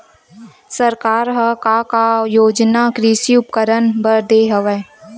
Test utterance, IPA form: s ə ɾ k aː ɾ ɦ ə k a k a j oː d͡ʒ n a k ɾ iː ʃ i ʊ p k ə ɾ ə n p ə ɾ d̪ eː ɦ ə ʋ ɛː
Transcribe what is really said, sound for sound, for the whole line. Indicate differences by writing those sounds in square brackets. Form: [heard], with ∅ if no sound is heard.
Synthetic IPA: s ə ɾ k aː ɾ ɦ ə k a k a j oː d͡ʒ n a k ɾ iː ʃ i ʊ p k ə ɾ ə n [b] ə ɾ d̪ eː ɦ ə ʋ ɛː